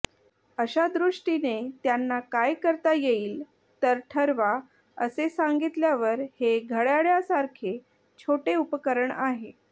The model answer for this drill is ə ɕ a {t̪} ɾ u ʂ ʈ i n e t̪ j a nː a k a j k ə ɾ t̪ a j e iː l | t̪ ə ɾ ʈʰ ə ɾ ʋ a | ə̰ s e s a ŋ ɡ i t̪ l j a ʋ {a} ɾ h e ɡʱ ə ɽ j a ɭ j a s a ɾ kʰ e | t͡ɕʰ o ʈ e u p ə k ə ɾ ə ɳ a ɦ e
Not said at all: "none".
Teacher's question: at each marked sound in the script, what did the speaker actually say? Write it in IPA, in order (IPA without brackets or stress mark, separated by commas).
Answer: d̪, ə